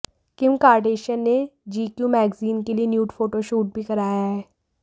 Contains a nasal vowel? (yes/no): no